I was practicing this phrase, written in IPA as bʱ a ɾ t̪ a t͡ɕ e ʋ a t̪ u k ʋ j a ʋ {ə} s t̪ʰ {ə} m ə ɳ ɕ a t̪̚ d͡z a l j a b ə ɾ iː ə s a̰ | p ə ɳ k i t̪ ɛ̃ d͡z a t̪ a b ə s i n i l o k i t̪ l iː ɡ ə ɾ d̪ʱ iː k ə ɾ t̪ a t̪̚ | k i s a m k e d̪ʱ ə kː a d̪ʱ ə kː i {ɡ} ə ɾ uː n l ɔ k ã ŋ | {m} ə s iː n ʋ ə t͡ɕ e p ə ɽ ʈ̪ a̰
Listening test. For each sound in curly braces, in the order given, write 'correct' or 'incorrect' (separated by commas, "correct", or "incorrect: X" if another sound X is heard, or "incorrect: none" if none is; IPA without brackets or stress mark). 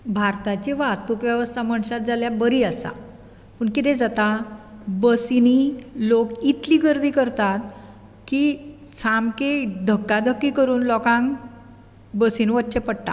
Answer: correct, incorrect: a, incorrect: k, incorrect: b